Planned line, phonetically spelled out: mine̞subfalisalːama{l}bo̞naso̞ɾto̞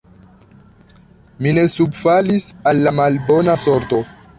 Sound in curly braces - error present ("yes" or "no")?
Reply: no